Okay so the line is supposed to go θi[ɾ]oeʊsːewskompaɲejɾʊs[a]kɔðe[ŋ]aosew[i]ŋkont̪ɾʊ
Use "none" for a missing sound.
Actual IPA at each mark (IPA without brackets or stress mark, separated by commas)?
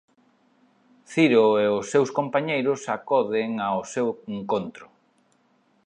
ɾ, a, ŋ, e